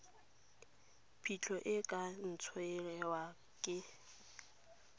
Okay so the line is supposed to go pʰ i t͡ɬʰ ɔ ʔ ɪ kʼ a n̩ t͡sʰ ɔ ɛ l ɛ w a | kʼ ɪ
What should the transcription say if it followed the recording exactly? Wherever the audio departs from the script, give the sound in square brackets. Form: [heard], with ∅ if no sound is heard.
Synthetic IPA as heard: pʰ i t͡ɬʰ ɔ ʔ ɪ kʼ a n̩ t͡sʰ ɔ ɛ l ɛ w a | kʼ ɪ